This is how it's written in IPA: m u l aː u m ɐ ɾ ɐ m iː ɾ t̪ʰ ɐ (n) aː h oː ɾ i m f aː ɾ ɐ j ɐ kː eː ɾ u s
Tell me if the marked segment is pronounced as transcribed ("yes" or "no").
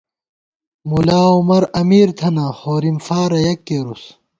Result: yes